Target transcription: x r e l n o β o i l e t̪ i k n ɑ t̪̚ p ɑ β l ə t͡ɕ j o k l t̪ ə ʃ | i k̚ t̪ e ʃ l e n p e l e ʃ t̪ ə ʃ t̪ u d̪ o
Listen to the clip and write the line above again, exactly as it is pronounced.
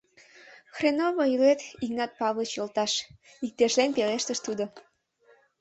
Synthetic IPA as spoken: x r e n o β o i l e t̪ i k n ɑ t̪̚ p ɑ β l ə t͡ɕ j o l t̪ ɑ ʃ | i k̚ t̪ e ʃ l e n p e l e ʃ t̪ ə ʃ t̪ u d̪ o